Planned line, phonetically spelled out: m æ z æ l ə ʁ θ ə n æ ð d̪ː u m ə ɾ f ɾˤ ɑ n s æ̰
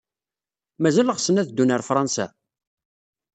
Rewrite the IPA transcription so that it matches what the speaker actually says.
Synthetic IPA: m æ z æ l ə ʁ s ə n æ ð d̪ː u n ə ɾ f ɾˤ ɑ n s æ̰